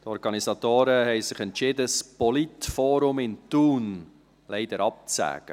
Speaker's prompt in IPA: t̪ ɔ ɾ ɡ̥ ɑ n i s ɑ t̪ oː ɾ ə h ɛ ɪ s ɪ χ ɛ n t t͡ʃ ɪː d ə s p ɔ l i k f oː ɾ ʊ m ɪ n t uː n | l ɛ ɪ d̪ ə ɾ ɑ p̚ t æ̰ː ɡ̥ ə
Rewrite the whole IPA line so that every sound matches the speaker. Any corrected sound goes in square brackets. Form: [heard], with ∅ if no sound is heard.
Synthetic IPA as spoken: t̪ ɔ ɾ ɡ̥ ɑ n i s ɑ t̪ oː ɾ ə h ɛ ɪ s ɪ χ ɛ n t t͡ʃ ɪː d ə s p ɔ l i [t] f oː ɾ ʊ m ɪ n t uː n | l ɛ ɪ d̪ ə ɾ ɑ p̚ [t͡s] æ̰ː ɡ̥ ə